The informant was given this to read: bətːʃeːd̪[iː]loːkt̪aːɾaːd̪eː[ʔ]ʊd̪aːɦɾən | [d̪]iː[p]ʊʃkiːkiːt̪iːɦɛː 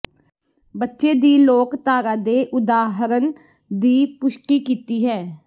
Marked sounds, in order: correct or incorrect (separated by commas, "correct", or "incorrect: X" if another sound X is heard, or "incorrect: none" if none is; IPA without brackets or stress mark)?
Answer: correct, correct, correct, correct